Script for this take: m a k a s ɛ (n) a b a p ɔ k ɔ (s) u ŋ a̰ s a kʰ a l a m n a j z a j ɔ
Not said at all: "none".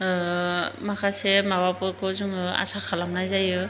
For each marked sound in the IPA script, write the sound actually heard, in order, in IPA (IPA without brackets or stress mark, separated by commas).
m, z